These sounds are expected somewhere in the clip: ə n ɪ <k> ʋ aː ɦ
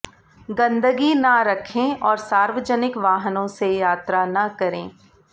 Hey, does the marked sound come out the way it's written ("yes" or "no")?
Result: yes